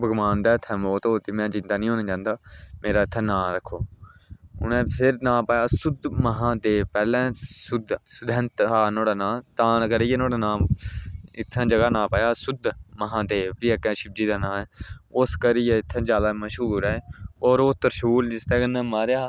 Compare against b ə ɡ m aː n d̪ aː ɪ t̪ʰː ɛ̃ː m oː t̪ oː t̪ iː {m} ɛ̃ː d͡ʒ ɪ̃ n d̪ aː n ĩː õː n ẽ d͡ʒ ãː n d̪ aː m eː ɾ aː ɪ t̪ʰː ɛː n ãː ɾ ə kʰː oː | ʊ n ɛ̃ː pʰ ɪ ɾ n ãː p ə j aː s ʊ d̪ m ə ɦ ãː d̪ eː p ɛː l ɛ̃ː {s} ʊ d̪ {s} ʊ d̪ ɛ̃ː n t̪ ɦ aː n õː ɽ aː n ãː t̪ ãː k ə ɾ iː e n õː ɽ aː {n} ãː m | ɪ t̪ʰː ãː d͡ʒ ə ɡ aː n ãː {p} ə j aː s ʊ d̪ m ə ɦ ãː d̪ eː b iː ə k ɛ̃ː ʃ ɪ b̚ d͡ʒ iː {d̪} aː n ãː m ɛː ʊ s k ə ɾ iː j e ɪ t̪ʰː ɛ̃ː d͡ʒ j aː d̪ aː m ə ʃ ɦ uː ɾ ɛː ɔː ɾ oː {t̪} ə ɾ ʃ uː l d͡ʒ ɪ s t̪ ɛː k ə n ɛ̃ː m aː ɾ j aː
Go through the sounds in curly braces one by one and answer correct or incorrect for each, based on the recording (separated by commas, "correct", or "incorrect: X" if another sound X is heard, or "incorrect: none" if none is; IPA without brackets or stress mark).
correct, correct, correct, correct, correct, correct, correct